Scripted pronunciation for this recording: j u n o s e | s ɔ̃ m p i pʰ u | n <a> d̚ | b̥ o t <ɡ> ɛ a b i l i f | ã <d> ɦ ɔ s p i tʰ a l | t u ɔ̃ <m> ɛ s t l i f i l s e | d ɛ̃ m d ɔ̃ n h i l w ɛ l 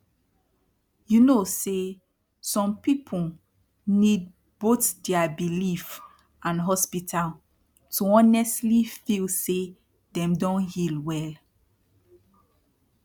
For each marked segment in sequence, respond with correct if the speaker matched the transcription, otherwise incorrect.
incorrect: i, incorrect: d, incorrect: n, incorrect: n

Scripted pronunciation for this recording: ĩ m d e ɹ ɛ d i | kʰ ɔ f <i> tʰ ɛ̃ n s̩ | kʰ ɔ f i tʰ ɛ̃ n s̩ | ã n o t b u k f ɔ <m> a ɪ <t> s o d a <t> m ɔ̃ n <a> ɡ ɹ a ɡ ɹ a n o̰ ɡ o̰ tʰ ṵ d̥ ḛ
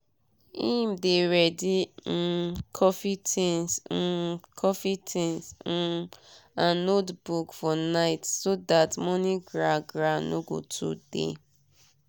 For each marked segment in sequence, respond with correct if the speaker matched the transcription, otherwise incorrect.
correct, incorrect: n, correct, correct, incorrect: i

